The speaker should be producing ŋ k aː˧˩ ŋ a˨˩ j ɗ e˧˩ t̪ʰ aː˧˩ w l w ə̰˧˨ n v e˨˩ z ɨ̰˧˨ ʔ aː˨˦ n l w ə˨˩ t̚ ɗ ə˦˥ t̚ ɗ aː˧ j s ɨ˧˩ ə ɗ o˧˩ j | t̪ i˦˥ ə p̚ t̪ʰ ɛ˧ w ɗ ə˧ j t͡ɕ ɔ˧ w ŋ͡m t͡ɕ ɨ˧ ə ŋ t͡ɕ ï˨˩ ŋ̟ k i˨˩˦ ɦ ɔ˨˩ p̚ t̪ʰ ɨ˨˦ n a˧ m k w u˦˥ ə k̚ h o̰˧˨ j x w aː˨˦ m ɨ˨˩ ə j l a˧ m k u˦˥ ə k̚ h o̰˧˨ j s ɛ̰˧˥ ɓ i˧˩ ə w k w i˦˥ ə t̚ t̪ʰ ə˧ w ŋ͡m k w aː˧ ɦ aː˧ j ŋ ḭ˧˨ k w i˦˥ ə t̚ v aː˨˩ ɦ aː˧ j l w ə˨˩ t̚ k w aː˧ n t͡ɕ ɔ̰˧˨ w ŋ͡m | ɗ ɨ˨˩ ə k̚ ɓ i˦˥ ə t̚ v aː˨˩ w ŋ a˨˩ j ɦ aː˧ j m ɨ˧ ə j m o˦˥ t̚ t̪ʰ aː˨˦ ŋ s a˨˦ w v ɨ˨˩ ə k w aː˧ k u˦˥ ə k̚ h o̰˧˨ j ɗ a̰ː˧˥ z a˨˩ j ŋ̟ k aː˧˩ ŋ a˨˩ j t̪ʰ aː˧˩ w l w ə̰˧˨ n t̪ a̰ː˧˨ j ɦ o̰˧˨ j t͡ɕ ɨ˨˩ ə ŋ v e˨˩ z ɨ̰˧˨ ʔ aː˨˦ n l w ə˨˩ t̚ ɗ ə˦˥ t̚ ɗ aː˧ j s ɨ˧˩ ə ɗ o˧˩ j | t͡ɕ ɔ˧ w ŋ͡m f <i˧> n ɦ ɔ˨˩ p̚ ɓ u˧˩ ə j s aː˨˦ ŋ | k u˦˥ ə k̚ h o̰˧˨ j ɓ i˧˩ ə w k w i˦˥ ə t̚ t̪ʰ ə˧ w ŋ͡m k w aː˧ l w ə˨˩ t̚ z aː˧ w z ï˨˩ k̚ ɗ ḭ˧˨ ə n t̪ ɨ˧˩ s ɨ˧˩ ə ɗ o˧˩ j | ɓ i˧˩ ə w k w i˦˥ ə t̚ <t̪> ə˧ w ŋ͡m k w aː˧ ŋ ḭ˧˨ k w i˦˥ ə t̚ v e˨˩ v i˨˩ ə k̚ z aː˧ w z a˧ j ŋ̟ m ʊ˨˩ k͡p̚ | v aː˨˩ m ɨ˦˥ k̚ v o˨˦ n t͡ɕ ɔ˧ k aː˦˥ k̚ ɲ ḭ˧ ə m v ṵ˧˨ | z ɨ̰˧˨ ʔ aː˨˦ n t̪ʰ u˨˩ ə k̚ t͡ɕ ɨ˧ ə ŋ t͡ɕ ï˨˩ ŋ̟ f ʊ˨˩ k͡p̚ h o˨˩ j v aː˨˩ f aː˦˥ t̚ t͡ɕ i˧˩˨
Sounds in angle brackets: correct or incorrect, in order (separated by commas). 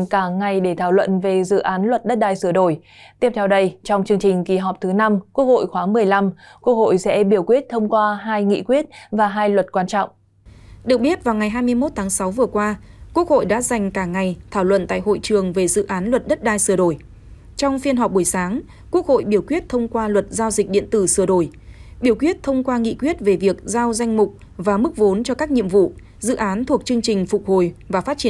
correct, incorrect